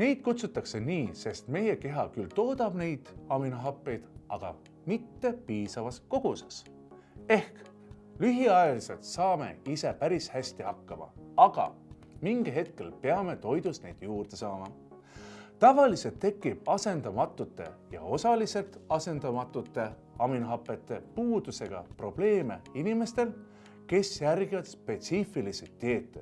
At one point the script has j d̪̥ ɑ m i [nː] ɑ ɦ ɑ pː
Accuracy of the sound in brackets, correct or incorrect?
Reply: incorrect